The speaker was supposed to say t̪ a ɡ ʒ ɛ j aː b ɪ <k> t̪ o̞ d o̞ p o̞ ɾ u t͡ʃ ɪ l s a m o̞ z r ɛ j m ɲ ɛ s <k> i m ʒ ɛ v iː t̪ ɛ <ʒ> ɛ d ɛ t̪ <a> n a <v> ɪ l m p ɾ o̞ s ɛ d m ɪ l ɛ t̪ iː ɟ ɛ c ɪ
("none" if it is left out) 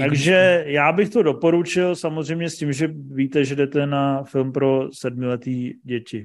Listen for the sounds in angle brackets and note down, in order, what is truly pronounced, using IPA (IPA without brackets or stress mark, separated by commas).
x, c, ʒ, ɛ, f